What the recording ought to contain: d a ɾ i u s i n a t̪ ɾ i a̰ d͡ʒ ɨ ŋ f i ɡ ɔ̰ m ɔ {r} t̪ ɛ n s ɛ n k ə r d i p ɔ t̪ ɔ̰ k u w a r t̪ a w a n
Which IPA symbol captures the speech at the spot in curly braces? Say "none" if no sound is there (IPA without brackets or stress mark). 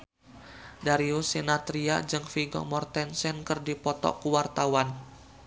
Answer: r